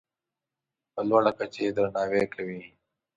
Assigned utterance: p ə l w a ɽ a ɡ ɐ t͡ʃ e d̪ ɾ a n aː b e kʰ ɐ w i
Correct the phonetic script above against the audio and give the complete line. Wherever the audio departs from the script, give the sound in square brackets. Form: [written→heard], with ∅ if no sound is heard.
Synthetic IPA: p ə l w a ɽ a [ɡ→k] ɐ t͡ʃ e d̪ ɾ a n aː [b→w] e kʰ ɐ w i

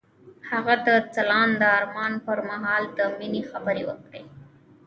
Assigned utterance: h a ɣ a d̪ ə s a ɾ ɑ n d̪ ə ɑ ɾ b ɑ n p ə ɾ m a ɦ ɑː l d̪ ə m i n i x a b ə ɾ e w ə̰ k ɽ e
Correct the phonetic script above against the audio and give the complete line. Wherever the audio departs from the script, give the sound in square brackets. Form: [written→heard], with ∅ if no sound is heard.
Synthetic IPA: h a ɣ a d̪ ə [s→t͡s] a [ɾ→l] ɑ n d̪ ə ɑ ɾ [b→m] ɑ n p ə ɾ m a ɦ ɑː l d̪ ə m i n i x a b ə ɾ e w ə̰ k ɽ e

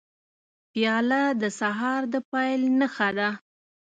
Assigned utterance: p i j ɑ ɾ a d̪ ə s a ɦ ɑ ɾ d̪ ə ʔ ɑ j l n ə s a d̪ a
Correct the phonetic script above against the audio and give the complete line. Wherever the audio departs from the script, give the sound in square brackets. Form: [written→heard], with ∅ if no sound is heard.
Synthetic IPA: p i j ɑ [ɾ→l] a d̪ ə s a ɦ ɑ ɾ d̪ ə [ʔ→p] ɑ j l n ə [s→x] a d̪ a

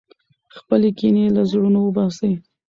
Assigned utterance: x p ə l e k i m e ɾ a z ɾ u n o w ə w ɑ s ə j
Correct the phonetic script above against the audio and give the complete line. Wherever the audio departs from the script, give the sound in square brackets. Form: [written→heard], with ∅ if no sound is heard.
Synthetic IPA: x p ə l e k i [m→n] e [ɾ→l] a z [ɾ→ɽ] u n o w ə [w→b] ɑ s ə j

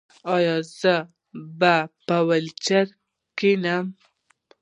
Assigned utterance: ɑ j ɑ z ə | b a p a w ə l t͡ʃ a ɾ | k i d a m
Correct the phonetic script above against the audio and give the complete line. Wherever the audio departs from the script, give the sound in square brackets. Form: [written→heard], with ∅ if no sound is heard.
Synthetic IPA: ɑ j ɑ z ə | b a p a w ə l t͡ʃ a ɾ | k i [d→n] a m

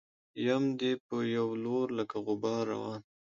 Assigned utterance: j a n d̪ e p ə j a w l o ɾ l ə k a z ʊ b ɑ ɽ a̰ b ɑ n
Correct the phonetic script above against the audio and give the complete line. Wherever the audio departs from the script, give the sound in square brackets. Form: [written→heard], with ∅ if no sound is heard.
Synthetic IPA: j a [n→m] d̪ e p ə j a w l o ɾ l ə k a [z→ɣ] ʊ b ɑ [ɽ→ɾ] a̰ [b→w] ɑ n

